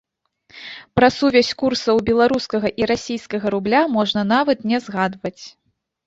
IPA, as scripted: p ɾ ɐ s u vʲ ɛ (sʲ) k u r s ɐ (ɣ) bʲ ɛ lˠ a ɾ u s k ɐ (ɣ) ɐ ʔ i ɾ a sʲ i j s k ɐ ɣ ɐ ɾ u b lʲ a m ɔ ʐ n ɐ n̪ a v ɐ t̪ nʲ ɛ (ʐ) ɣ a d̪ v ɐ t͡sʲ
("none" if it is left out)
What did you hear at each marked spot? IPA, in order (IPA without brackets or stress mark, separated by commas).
sʲ, w, ɣ, z